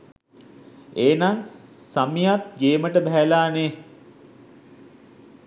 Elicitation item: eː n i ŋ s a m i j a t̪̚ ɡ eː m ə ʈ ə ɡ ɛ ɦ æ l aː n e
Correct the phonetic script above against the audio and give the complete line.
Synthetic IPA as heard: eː n a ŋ s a m i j a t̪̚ ɡ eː m ə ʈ ə b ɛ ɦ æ l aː n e

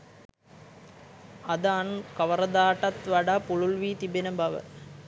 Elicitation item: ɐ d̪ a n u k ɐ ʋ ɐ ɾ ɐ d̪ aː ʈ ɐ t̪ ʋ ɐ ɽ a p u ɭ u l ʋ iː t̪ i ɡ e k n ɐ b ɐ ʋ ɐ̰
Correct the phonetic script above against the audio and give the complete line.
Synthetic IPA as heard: ɐ d̪ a n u k ɐ ʋ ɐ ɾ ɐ d̪ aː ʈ ɐ t̪ ʋ ɐ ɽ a p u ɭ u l ʋ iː t̪ i b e n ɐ b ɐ ʋ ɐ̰

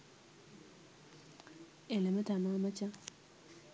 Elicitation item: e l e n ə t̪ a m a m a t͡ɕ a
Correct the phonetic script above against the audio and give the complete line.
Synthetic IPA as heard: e l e m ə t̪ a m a m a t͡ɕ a

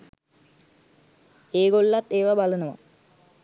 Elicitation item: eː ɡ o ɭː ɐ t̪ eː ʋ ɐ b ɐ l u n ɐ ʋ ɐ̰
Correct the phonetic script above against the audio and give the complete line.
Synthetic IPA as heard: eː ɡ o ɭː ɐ t̪ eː ʋ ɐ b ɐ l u n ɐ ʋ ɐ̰

